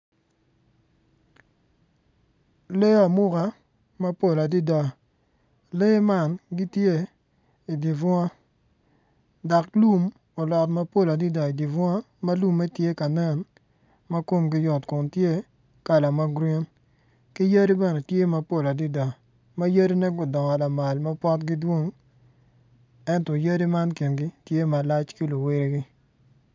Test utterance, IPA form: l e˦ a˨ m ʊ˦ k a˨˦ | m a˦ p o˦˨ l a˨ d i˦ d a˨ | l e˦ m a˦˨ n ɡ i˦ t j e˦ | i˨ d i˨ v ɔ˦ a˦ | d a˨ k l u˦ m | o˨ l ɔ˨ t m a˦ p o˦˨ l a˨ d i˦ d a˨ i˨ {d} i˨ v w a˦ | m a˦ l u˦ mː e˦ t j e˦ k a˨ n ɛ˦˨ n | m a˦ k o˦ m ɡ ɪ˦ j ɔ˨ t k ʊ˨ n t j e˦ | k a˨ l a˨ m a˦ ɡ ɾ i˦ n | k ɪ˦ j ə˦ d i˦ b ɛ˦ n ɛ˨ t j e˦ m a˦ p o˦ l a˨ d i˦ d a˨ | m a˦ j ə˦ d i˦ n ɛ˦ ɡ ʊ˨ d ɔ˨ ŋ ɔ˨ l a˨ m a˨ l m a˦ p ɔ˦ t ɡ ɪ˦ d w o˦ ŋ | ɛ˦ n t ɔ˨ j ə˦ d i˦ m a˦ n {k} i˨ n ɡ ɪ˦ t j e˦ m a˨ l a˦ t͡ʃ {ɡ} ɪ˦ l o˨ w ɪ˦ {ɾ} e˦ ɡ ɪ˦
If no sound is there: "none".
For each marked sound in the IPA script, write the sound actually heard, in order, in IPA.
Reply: d, k, k, ɾ

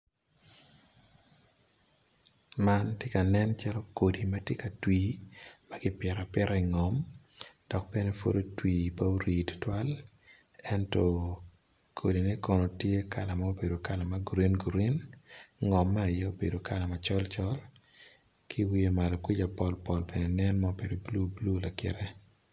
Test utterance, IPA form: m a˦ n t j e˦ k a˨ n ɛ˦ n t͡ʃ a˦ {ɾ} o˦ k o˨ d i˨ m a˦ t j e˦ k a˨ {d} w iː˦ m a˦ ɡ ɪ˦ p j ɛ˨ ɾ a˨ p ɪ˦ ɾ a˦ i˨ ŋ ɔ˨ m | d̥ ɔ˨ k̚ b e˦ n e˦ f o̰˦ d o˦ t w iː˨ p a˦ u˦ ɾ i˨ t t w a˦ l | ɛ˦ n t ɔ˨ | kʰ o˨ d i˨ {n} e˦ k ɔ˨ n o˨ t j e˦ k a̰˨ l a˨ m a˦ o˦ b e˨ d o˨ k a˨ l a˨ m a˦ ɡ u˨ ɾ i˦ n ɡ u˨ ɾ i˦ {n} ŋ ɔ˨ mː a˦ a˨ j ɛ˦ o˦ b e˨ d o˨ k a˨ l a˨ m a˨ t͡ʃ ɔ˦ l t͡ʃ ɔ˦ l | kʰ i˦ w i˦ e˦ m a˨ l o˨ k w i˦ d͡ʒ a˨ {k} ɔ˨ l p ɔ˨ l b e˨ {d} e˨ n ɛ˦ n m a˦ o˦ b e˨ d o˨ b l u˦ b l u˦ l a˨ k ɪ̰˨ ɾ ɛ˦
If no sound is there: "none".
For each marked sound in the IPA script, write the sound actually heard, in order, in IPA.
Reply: l, t, n, n, p, n

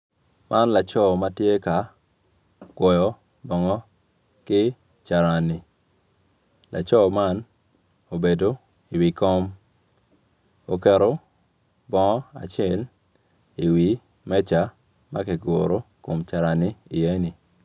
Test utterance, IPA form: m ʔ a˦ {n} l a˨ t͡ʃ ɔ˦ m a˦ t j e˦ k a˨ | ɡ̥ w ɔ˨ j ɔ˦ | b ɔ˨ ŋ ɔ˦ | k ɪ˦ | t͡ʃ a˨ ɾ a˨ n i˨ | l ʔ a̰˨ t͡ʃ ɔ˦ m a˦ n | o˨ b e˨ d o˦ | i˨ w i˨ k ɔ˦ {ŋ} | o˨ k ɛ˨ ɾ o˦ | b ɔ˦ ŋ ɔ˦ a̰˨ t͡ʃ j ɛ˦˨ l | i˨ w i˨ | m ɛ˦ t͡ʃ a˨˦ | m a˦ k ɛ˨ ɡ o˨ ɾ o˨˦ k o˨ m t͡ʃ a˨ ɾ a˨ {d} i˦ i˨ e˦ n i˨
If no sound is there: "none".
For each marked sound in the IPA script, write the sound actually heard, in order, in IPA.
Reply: n, m, n

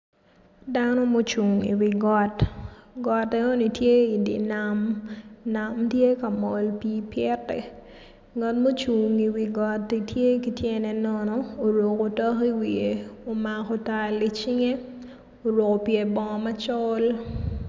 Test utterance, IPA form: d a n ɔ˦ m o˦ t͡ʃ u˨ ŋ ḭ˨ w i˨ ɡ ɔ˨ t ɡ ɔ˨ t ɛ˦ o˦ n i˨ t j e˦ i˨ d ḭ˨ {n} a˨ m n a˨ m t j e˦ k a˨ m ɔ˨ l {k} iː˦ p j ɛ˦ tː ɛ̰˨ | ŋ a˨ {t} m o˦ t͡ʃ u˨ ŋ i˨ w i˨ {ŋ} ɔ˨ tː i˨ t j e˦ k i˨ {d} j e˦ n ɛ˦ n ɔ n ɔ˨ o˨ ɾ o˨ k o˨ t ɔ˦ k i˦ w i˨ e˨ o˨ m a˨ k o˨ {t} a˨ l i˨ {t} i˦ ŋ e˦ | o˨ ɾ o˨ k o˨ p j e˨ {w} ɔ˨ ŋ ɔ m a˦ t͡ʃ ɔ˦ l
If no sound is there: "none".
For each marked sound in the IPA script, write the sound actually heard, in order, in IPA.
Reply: n, p, t, ɡ, t, t, t͡ʃ, b

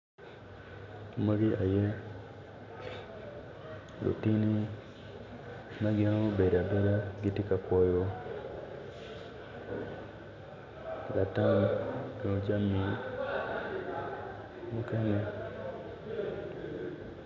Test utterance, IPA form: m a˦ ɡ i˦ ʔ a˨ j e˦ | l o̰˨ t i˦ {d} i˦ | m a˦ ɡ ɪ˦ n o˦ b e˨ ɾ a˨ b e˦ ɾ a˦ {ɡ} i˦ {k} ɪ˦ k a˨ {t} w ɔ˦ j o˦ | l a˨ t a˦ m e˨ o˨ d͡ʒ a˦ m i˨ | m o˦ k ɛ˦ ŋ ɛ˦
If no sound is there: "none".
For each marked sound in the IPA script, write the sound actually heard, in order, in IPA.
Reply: n, ɡ, t, k

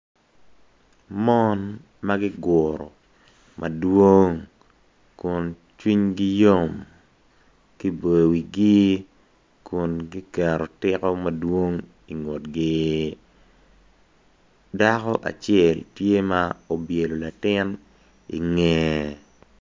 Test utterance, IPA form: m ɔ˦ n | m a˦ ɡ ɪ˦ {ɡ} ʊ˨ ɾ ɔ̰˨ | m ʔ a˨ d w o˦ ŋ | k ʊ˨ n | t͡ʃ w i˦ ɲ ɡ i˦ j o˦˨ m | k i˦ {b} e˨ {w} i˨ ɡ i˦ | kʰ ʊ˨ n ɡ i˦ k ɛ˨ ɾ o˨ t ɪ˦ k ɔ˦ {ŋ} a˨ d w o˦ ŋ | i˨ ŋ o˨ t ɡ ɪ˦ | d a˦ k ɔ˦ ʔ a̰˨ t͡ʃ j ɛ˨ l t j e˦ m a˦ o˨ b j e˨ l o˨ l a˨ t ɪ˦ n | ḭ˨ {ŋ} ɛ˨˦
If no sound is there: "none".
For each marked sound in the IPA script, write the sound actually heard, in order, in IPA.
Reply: ɡ, b, w, m, ŋ

